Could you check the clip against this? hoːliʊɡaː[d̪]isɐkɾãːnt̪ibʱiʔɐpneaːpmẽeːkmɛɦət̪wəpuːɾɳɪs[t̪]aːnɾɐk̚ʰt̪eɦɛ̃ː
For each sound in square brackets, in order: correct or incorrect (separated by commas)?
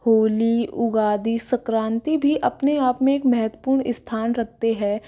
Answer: correct, incorrect